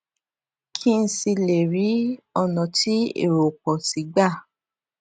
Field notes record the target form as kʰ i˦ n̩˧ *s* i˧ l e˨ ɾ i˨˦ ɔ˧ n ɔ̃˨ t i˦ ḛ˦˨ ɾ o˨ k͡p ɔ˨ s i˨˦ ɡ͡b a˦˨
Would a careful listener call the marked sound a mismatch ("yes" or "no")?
no